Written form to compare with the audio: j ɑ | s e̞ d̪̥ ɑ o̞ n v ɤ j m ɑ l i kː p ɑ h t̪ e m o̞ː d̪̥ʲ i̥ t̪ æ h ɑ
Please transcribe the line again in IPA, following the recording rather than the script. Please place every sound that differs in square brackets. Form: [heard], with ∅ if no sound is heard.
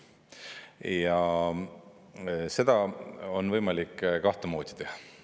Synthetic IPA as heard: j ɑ | s e̞ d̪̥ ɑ o̞ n v ɤ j m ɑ l i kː [k] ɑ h t̪ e m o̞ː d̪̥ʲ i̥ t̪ [e] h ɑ